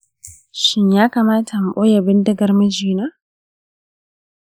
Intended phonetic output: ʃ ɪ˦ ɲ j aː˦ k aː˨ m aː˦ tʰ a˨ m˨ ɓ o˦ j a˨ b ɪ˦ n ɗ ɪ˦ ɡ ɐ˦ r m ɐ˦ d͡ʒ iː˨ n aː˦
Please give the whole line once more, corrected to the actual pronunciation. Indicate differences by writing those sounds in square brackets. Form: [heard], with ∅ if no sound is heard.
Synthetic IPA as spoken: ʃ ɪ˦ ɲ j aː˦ k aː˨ m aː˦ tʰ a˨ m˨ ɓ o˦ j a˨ b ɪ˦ n [d] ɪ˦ ɡ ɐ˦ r m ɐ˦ d͡ʒ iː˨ n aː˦